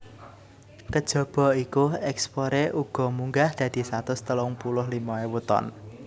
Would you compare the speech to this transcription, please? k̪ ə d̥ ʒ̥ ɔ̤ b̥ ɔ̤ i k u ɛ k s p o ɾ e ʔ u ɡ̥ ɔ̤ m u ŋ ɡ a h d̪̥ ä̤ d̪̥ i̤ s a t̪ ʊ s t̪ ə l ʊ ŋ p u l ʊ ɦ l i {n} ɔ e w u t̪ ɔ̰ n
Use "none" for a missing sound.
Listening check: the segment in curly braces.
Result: m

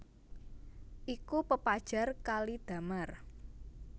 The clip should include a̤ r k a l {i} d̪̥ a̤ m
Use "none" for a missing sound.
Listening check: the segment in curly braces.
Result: i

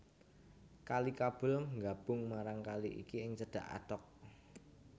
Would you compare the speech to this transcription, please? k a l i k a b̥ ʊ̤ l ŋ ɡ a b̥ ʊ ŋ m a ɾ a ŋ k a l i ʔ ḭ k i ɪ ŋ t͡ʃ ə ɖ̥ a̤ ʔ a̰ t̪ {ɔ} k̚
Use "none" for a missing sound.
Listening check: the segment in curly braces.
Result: ɔ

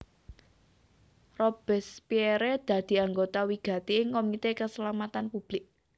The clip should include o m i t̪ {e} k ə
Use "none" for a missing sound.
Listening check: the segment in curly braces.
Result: e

